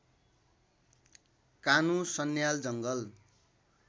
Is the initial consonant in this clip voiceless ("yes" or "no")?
yes